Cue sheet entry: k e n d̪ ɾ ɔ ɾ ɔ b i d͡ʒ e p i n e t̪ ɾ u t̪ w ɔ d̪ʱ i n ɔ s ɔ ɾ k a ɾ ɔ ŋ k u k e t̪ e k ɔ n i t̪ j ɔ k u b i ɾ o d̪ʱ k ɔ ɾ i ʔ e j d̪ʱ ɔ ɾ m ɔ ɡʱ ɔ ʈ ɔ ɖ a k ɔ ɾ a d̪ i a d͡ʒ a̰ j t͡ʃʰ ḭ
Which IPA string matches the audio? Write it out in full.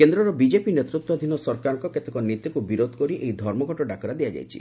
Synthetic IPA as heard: k e n d̪ ɾ ɔ ɾ ɔ b i d͡ʒ e p i n e t̪ ɾ u t̪ w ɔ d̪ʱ i n ɔ s ɔ ɾ k a ɾ ɔ ŋ k ɔ k e t̪ e k ɔ n i t̪ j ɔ k u b i ɾ o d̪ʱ k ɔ ɾ i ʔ e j d̪ʱ ɔ ɾ m ɔ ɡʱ ɔ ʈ ɔ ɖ a k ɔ ɾ a d̪ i a d͡ʒ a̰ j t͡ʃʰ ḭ